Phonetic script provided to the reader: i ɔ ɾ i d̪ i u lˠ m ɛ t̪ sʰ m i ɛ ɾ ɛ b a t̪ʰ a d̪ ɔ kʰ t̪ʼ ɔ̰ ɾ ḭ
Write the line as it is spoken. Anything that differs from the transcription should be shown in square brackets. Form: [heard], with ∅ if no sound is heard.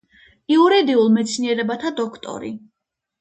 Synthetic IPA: i [u] ɾ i d̪ i u lˠ m ɛ t̪ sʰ [n] i ɛ ɾ ɛ b a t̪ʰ a d̪ ɔ kʰ t̪ʼ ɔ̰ ɾ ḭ